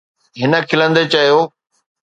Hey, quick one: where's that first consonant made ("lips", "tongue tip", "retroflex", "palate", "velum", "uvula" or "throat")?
throat